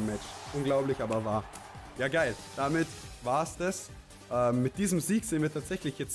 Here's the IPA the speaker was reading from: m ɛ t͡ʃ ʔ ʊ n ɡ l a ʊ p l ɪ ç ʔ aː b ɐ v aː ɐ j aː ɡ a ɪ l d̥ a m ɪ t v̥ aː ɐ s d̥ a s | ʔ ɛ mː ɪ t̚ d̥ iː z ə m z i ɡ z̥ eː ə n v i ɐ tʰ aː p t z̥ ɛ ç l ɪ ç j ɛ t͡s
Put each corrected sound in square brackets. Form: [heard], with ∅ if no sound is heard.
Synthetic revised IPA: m ɛ t͡ʃ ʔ ʊ n ɡ l a ʊ p l ɪ ç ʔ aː b ɐ v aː ɐ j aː ɡ a ɪ l d̥ a m ɪ t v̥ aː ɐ s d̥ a s | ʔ ɛ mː ɪ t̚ d̥ iː z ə m z [iː] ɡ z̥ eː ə n v i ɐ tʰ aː [∅] t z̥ ɛ ç l ɪ ç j ɛ t͡s